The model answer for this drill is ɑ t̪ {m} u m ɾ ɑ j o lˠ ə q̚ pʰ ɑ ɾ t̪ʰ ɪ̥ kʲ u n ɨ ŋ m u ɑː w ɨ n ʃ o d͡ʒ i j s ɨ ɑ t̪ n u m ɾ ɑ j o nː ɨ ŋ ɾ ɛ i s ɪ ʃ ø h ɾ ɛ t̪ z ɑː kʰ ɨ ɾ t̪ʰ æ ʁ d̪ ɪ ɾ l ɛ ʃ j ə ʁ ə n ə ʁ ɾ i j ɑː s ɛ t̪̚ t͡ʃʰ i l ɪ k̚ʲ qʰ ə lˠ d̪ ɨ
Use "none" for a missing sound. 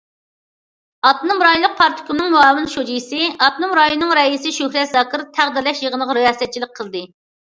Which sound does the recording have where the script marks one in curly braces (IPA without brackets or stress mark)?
n